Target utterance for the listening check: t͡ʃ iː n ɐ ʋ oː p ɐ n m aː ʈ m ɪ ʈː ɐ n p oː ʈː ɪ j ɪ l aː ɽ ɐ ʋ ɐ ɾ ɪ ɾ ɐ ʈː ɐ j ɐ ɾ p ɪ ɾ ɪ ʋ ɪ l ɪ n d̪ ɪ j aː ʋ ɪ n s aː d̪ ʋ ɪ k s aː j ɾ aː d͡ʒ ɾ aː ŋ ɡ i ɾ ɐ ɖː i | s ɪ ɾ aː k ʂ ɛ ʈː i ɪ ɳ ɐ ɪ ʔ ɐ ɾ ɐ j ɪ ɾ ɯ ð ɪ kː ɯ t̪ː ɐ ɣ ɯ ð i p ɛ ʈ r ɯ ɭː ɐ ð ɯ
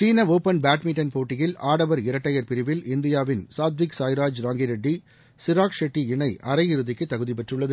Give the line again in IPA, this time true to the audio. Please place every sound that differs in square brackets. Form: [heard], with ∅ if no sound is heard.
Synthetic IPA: t͡ʃ iː n ɐ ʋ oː p ɐ n [b] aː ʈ m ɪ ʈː ɐ n p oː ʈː ɪ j ɪ l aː ɽ ɐ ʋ ɐ ɾ ɪ ɾ ɐ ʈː ɐ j ɐ ɾ p ɪ ɾ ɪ ʋ ɪ l ɪ n d̪ ɪ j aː ʋ ɪ n s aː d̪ ʋ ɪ k s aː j ɾ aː d͡ʒ ɾ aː ŋ ɡ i ɾ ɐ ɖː i | s ɪ ɾ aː k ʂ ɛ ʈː i ɪ ɳ ɐ ɪ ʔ ɐ ɾ ɐ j ɪ ɾ ɯ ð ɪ kː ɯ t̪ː ɐ ɣ ɯ ð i p ɛ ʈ r ɯ ɭː ɐ ð ɯ